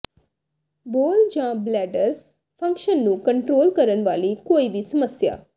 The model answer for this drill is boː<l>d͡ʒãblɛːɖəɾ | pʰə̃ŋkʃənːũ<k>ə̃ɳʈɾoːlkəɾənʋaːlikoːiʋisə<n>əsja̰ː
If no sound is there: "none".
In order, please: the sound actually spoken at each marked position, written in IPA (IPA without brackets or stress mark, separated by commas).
l, k, m